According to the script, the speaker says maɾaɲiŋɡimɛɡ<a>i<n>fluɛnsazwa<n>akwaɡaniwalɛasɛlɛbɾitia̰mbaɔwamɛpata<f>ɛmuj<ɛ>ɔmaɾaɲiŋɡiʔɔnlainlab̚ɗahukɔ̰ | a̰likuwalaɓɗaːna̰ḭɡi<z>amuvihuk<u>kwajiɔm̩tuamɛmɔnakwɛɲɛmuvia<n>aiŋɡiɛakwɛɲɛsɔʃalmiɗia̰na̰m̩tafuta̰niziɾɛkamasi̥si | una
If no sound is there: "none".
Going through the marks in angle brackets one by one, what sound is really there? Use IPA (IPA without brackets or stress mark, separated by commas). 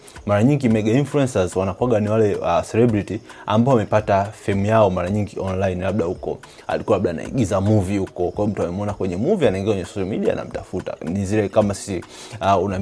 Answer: a, n, n, f, a, z, ɔ, n